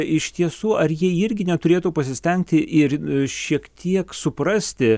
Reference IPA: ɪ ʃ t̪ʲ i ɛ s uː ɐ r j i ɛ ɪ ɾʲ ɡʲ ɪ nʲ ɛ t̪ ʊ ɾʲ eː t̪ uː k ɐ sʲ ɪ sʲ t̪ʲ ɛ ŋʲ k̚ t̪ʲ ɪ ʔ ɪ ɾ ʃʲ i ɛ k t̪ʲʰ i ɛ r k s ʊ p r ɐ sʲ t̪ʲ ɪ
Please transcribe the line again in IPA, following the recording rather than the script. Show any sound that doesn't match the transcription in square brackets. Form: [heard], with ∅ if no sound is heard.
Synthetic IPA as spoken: ɪ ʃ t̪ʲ i ɛ s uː ɐ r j i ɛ ɪ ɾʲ ɡʲ ɪ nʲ ɛ t̪ ʊ ɾʲ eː t̪ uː [p] ɐ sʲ ɪ sʲ t̪ʲ ɛ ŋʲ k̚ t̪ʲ ɪ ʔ ɪ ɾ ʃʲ i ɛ k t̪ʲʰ i ɛ [∅] k s ʊ p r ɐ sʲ t̪ʲ ɪ